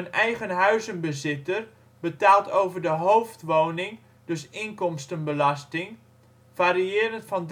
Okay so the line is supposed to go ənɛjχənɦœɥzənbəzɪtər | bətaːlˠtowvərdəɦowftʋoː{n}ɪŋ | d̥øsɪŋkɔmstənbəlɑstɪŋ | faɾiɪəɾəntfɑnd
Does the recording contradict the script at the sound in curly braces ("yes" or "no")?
no